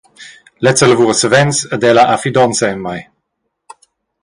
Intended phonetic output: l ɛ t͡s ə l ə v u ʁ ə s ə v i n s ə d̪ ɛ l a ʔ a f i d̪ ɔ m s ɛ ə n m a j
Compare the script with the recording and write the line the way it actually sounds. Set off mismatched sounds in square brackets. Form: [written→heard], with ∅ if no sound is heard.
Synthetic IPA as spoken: l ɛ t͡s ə l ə v u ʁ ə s ə v [i→ɛ] n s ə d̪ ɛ l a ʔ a f i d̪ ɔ [m→n] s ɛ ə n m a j